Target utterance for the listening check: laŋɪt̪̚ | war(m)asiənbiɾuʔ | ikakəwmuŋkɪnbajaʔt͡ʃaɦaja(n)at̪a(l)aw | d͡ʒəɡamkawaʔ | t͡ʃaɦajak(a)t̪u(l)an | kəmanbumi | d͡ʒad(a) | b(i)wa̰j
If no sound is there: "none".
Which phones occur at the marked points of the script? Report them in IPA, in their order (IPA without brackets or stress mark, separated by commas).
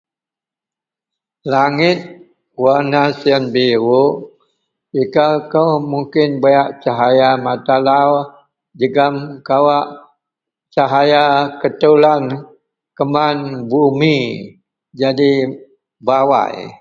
n, m, l, ə, l, i, a